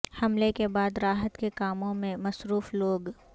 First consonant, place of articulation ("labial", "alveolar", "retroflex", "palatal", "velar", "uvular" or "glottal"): glottal